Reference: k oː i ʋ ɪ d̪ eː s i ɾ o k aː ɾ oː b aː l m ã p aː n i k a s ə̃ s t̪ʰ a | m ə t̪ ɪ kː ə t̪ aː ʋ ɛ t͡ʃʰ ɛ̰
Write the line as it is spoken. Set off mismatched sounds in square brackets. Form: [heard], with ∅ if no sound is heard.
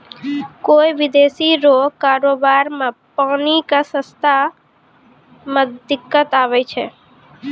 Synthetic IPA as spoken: k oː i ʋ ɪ d̪ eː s i ɾ o k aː ɾ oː b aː [ɾ] m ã p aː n i k a s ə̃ s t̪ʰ a | m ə [d̪] ɪ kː ə t̪ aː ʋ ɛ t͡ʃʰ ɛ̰